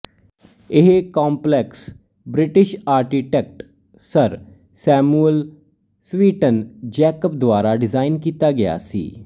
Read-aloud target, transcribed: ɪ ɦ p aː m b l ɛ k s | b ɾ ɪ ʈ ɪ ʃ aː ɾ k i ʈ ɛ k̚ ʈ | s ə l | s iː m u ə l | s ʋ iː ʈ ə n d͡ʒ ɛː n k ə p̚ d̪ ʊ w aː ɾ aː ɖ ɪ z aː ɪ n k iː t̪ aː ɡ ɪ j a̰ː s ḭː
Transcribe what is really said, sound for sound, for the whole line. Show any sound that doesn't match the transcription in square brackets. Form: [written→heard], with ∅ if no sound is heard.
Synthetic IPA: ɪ ɦ [p→k] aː m [b→p] l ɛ k s | b ɾ ɪ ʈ ɪ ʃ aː ɾ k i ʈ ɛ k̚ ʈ | s ə [l→ɾ] | s [iː→ɛː] m u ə l | s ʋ iː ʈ ə n d͡ʒ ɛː [n→∅] k ə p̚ d̪ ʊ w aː ɾ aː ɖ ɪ z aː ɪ n k iː t̪ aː ɡ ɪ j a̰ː s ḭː